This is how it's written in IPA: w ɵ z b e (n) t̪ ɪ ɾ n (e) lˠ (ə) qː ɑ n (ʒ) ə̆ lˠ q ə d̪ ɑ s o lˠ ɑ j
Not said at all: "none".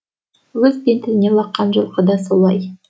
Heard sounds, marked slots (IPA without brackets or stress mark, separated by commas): n, e, ɑ, ʒ